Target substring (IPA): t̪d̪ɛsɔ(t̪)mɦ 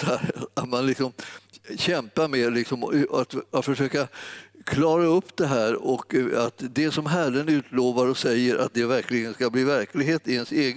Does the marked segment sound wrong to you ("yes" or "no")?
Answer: yes